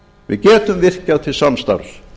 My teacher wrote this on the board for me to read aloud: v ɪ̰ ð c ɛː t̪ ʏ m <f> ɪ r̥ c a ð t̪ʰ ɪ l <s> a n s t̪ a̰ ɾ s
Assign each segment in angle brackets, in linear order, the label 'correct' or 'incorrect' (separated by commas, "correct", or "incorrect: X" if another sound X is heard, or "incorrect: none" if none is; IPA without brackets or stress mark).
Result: incorrect: v, correct